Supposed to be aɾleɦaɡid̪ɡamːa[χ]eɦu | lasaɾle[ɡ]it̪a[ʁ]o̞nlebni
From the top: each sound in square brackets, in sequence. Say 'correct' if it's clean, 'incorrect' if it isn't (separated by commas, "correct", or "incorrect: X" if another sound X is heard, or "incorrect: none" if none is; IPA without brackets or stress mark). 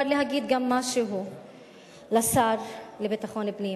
incorrect: ʃ, incorrect: b, incorrect: χ